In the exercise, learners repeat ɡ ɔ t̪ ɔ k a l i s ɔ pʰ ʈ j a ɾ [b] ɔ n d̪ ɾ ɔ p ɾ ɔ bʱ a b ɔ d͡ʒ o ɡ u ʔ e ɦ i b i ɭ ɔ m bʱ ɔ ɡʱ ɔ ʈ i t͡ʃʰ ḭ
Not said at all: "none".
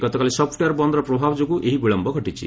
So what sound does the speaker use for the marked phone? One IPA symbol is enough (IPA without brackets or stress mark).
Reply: b